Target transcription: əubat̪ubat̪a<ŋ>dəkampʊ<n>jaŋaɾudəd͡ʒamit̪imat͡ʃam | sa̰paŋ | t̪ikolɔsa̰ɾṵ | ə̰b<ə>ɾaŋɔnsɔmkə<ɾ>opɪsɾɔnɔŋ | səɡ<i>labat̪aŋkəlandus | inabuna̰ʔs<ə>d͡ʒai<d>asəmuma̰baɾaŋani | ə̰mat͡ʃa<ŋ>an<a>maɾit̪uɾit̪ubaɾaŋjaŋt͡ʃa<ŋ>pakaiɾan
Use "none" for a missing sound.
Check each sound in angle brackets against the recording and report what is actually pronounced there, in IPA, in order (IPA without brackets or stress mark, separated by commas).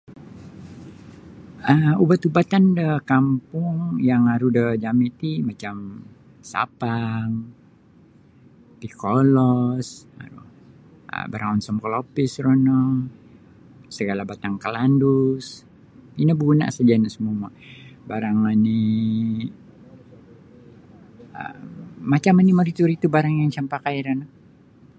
n, ŋ, a, l, a, a, n, m, i, m